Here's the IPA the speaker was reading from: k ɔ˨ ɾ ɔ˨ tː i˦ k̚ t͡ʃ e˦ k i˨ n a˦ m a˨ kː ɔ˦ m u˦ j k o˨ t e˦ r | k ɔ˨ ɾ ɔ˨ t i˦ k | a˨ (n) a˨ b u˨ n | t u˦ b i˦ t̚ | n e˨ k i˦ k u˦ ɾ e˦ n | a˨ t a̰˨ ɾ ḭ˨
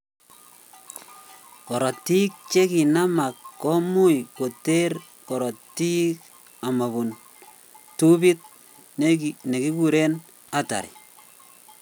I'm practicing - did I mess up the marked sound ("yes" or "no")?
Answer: yes